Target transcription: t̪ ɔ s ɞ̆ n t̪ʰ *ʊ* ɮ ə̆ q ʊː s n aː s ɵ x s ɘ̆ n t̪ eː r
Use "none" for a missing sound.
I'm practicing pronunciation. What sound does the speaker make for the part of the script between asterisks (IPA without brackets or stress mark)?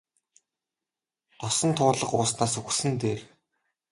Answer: ʊː